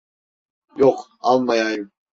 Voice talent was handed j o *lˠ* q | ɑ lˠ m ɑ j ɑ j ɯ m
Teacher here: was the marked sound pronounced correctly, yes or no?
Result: no